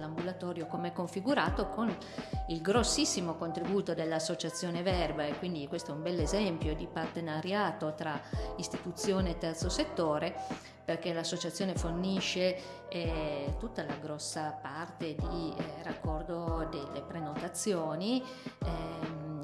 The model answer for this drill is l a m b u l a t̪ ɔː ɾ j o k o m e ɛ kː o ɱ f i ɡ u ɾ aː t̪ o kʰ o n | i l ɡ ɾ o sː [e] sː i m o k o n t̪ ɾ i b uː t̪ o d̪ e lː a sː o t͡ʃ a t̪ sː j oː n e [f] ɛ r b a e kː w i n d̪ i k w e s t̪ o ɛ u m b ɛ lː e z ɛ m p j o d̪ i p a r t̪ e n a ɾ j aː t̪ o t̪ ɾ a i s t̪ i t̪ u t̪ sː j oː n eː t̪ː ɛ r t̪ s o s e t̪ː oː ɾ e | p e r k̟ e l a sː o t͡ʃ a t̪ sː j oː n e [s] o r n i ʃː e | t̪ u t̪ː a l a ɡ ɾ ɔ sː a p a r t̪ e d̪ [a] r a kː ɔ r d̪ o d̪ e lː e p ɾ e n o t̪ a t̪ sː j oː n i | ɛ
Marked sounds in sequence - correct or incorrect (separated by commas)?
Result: incorrect, incorrect, incorrect, incorrect